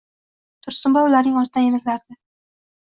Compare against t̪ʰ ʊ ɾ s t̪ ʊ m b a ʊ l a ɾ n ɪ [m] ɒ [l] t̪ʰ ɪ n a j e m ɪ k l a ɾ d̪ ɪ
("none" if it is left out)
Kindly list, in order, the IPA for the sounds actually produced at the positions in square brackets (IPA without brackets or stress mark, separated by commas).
ŋ, ɾ